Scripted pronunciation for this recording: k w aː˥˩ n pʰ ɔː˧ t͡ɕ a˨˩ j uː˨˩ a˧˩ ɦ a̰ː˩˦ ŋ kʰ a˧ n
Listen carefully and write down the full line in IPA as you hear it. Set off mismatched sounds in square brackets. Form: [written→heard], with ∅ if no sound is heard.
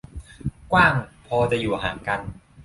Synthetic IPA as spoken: k w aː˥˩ [n→ŋ] pʰ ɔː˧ t͡ɕ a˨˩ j uː˨˩ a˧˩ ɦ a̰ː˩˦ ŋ [kʰ→k] a˧ n